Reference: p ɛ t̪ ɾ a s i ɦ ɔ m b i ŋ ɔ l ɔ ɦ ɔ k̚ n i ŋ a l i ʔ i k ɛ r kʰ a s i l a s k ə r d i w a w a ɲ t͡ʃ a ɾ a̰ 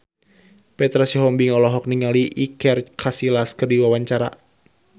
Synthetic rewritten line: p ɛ t̪ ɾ a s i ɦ ɔ m b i ŋ ɔ l ɔ ɦ ɔ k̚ n i ŋ a l i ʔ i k ɛ r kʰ a s i l a s k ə r d i w a w a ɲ t͡ʃ a ɾ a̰